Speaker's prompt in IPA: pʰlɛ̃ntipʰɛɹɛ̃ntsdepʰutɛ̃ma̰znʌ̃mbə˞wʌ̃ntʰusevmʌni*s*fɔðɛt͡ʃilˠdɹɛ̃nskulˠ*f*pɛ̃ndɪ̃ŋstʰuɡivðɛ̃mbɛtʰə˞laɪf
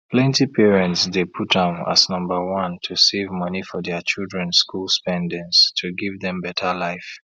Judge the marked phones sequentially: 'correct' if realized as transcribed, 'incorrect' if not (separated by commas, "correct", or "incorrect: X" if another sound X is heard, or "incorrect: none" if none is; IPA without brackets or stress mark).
incorrect: none, incorrect: s